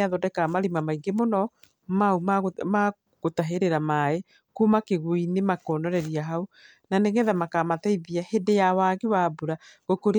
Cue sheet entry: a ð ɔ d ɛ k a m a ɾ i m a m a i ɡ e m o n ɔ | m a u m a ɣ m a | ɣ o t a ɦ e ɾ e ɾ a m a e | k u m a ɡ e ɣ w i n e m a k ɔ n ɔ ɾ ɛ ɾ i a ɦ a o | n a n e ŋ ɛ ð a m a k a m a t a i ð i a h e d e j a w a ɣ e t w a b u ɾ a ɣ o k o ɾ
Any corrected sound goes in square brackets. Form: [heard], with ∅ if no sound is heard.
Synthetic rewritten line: a ð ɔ d ɛ k a m a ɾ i m a m a i ɡ e m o n ɔ | m a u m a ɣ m a | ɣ o t a ɦ e ɾ e ɾ a m a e | k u m a [k] e ɣ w i n e m a k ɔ n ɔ ɾ ɛ ɾ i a ɦ a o | n a n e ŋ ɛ ð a m a k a m a t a i ð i a h e d e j a w a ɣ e [∅] w a b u ɾ a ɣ o k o ɾ